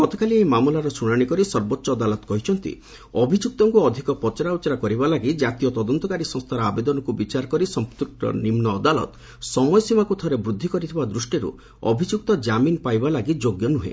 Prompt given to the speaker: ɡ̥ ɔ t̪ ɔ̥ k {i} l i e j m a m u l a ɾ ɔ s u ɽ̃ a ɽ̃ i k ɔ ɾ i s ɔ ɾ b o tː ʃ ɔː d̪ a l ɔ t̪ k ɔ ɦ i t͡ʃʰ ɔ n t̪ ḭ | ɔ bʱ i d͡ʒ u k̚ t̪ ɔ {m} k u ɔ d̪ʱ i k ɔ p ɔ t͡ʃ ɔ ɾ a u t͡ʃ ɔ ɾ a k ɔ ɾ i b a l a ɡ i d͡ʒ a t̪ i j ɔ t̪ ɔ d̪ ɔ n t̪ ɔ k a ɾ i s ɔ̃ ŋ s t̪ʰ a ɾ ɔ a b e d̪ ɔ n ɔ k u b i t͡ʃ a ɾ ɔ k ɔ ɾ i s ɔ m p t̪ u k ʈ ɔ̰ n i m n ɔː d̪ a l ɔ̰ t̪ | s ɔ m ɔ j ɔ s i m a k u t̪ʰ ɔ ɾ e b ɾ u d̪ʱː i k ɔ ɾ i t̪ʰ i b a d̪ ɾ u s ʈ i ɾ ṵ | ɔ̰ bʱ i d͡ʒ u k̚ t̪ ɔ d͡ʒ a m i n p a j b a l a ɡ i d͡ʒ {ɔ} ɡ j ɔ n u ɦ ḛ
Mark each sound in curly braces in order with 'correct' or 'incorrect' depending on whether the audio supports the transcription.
incorrect, incorrect, incorrect

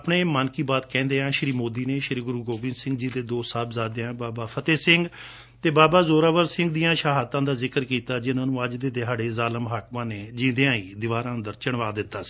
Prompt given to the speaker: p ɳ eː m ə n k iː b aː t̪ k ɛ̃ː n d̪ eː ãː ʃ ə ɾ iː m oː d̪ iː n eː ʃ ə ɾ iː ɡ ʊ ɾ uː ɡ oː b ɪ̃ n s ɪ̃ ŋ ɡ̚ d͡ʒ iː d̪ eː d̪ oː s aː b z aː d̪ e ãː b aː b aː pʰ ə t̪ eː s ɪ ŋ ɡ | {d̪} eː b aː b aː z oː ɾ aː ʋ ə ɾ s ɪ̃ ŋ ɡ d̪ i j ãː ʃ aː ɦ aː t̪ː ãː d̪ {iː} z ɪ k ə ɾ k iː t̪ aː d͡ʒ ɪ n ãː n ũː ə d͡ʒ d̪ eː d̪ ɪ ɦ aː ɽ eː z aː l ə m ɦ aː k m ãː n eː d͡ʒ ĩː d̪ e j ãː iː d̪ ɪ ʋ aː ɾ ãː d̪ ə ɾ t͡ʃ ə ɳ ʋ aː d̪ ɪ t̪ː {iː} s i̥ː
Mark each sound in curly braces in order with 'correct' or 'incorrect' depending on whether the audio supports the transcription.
incorrect, incorrect, incorrect

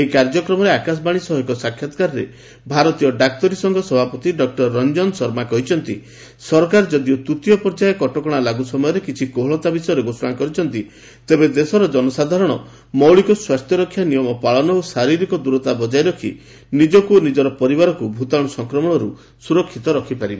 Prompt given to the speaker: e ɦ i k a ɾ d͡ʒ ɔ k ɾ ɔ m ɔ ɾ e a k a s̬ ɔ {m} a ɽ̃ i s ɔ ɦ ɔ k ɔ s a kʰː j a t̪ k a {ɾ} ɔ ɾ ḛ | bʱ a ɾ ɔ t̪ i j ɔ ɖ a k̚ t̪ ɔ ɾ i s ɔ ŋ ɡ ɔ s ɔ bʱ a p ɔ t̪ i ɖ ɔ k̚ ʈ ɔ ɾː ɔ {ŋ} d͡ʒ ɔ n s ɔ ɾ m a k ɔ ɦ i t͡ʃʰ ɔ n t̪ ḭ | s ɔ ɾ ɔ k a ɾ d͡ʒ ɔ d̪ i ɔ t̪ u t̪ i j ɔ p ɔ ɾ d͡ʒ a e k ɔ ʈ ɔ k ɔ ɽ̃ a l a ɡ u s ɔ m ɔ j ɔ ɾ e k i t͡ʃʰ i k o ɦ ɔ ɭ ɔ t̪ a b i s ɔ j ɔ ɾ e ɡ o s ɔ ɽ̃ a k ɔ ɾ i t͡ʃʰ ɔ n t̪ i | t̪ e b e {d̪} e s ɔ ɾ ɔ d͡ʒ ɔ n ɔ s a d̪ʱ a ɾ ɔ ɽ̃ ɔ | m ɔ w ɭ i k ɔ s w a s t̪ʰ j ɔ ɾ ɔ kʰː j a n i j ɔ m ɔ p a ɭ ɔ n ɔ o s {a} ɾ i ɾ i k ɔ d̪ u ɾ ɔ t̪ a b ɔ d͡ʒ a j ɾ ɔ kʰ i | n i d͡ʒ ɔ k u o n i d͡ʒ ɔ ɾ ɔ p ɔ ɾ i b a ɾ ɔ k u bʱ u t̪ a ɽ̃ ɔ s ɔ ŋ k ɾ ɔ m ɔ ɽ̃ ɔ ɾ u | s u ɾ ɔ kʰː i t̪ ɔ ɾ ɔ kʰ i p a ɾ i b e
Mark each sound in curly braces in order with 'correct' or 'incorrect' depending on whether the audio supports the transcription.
incorrect, correct, incorrect, correct, correct

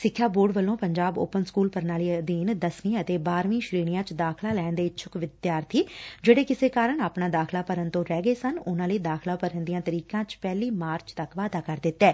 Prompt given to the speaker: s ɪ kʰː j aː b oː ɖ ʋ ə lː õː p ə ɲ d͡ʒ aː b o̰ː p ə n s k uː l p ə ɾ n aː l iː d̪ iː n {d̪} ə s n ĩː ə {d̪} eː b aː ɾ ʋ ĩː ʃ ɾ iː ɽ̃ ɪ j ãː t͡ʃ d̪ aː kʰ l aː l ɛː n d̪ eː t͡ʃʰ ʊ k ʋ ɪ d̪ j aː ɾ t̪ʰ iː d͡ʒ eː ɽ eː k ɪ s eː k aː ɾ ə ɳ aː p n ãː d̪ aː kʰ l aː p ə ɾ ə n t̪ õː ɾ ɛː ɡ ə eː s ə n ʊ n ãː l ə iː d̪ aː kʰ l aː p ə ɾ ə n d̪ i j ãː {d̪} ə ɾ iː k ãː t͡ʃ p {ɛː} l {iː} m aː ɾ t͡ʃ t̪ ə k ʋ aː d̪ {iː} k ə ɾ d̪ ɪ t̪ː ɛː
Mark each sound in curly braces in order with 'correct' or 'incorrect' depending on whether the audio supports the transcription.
correct, incorrect, incorrect, correct, correct, incorrect

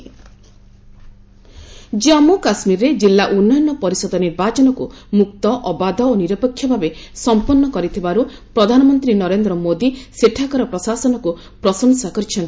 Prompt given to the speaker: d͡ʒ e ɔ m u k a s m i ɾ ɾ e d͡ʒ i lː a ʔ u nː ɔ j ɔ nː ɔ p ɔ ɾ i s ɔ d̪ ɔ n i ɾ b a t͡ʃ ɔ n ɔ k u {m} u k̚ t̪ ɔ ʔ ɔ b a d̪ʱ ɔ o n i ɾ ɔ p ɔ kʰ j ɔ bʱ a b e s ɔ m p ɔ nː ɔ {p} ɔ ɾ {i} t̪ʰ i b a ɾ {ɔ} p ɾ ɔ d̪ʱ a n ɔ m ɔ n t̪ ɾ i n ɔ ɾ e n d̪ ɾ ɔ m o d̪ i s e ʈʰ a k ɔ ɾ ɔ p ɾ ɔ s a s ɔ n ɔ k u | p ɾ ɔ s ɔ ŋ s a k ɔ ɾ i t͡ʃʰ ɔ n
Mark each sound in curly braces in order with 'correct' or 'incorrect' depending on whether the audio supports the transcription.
correct, incorrect, correct, incorrect

